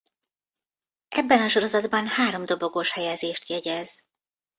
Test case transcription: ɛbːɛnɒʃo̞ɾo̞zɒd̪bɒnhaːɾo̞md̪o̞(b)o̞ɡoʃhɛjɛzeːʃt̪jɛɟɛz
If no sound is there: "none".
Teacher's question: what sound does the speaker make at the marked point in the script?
b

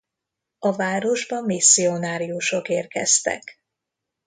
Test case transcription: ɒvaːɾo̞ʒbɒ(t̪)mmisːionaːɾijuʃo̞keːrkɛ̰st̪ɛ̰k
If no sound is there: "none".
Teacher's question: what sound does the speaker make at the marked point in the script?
none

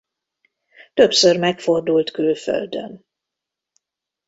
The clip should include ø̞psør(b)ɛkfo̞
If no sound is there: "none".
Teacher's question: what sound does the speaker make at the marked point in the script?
m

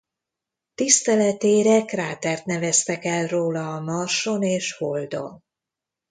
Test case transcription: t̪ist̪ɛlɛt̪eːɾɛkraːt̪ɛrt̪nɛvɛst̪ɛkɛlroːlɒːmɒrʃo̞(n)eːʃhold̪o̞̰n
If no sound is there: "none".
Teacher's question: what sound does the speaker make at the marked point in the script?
n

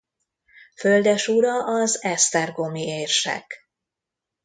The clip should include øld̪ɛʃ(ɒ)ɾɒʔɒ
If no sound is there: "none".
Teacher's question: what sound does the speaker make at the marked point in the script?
u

